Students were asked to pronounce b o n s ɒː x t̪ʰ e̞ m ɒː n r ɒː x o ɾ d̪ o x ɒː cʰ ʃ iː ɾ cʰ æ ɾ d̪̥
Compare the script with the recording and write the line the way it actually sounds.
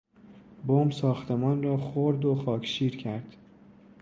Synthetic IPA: b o m s ɒː x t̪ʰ e̞ m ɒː n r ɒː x o ɾ d̪ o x ɒː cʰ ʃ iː ɾ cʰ æ ɾ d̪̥